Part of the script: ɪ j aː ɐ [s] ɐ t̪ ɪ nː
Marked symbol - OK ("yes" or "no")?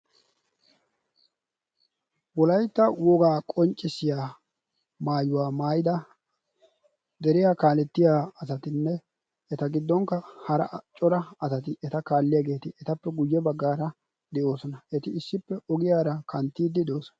yes